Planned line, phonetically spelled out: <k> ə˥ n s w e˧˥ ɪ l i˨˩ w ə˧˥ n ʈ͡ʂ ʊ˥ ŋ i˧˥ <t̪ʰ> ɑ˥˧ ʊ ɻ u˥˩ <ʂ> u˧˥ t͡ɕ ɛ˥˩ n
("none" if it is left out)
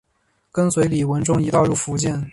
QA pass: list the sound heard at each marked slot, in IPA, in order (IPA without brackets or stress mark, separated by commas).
k, t̪, f